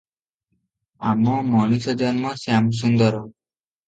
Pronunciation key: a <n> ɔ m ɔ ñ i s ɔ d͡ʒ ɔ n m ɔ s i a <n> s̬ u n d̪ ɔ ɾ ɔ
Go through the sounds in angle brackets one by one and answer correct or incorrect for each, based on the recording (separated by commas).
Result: incorrect, incorrect